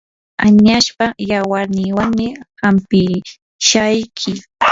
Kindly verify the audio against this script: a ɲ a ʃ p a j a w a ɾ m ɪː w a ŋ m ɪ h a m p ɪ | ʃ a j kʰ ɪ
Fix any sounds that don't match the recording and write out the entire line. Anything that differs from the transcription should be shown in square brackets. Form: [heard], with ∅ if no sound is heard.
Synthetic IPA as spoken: a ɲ a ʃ p a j a w a ɾ [n] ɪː w a ŋ m ɪ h a m p ɪ | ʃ a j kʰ ɪ